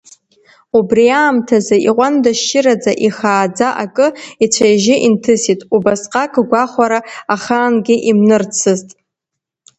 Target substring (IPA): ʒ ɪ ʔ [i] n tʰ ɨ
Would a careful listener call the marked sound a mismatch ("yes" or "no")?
no